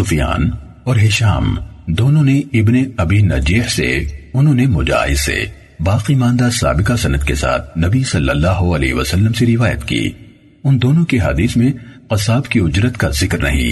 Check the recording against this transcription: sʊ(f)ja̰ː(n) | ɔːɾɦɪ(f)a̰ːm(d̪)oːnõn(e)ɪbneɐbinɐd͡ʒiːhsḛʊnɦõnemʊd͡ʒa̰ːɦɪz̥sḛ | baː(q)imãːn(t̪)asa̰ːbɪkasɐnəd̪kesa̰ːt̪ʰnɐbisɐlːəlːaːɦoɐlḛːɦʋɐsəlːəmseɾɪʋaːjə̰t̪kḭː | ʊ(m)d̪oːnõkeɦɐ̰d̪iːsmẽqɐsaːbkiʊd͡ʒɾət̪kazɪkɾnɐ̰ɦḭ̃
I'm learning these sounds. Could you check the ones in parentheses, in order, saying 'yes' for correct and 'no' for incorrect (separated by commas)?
yes, yes, no, yes, yes, yes, no, no